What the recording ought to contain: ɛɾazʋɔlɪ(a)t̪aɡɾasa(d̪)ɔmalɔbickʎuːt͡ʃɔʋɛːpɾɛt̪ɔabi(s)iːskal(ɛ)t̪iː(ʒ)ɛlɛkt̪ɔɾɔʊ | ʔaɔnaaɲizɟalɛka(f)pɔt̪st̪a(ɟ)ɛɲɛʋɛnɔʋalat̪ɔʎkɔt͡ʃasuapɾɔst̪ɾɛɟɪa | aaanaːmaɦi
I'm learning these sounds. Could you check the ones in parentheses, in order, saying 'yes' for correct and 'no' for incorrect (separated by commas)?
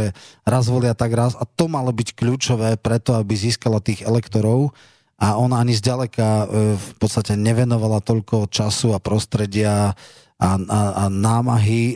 yes, no, no, no, no, yes, no